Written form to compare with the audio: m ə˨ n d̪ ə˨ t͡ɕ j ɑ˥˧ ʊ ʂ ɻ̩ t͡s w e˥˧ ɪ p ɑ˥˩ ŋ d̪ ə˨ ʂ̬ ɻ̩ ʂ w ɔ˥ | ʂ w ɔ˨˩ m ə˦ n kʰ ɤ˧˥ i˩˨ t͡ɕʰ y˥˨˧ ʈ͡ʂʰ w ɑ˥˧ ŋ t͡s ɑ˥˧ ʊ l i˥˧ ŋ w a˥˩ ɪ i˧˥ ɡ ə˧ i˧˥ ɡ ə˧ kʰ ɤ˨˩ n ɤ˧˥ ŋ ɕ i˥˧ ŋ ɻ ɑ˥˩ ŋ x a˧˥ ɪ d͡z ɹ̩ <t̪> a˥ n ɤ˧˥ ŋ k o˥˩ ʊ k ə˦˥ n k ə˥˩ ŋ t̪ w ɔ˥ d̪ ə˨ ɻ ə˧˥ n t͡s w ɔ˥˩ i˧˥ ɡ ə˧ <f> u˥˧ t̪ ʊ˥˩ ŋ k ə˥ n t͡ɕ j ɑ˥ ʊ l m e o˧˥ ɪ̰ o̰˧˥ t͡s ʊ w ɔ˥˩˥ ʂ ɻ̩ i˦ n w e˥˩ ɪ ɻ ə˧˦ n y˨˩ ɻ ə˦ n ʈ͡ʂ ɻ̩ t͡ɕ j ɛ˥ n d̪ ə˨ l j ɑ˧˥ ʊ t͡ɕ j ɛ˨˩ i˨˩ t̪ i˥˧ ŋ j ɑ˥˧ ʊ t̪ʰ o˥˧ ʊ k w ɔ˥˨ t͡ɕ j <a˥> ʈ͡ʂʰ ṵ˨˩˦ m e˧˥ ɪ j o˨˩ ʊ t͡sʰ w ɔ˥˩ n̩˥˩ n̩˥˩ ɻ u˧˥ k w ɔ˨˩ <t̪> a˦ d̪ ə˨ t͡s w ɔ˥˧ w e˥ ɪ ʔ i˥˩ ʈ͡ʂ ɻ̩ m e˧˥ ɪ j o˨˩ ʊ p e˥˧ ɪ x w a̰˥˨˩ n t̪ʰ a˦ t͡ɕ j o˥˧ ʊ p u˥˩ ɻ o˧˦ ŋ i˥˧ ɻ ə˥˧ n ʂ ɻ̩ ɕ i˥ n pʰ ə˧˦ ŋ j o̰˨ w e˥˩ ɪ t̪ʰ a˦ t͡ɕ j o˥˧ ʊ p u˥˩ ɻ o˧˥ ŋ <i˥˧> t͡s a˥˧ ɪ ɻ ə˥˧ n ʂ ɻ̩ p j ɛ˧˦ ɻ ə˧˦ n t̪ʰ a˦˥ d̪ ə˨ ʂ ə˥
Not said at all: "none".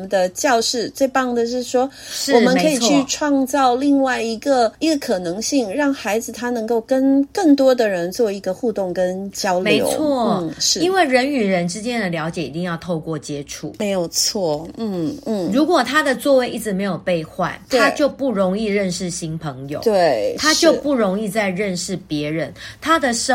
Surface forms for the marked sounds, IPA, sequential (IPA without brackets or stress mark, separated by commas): t̪ʰ, x, ɛ˥, t̪ʰ, i˥˧